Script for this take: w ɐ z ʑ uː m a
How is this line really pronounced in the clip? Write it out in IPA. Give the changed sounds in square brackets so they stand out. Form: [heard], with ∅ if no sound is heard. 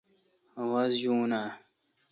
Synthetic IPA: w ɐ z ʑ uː [n] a